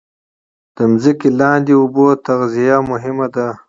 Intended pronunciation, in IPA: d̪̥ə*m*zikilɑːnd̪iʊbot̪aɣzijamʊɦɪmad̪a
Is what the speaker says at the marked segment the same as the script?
yes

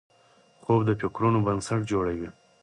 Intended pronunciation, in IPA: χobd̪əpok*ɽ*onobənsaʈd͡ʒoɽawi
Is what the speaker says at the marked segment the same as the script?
no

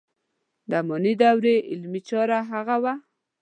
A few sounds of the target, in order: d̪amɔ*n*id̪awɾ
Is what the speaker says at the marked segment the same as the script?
yes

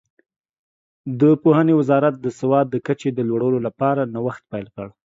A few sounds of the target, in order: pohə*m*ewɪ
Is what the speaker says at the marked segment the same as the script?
no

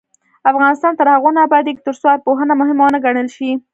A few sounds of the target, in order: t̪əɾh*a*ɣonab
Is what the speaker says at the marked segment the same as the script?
yes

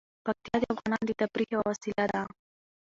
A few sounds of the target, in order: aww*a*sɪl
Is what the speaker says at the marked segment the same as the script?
yes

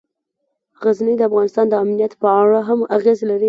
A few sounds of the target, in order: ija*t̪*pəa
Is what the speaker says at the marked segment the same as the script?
yes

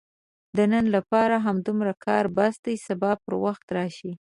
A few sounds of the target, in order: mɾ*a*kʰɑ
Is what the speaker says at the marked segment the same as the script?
yes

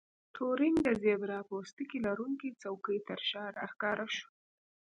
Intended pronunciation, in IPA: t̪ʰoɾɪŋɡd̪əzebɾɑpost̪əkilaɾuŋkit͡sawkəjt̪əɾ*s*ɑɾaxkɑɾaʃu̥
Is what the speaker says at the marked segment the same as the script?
no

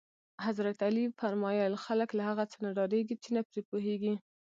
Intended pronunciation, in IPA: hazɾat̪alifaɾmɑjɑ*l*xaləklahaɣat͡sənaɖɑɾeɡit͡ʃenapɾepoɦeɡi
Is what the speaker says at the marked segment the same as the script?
yes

